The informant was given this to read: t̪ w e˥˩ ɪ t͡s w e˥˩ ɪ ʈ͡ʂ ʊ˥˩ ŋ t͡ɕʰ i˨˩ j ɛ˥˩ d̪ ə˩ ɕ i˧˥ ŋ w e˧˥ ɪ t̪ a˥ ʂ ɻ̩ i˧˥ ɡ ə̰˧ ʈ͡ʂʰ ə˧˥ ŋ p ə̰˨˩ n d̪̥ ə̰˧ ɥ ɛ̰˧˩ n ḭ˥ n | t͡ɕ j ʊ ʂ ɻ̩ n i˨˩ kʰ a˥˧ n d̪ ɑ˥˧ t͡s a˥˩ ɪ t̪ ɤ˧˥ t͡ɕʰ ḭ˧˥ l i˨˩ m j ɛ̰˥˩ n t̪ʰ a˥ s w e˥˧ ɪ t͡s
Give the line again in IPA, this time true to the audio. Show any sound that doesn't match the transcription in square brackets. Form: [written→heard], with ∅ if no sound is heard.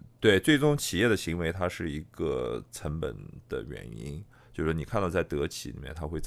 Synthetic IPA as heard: t̪ w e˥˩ ɪ t͡s w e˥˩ ɪ ʈ͡ʂ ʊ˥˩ ŋ t͡ɕʰ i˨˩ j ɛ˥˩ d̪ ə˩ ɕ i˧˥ ŋ w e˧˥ ɪ [t̪→t̪ʰ] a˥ ʂ ɻ̩ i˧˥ ɡ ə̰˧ ʈ͡ʂʰ ə˧˥ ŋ p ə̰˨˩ n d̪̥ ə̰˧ ɥ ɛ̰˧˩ n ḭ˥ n | t͡ɕ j ʊ ʂ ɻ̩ n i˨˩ kʰ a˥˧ n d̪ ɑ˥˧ t͡s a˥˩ ɪ t̪ ɤ˧˥ t͡ɕʰ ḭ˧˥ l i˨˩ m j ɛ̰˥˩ n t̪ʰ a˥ [s→x] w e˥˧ ɪ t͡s